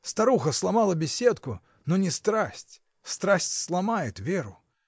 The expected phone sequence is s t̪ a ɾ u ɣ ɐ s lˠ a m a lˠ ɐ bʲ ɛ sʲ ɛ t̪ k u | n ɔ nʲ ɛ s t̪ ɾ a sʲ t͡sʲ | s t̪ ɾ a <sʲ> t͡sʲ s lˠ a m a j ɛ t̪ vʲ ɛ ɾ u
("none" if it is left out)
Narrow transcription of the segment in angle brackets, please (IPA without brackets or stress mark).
sʲ